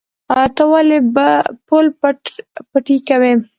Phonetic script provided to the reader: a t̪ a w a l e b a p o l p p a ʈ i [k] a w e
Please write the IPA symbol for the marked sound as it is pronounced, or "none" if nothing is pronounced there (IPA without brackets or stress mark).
k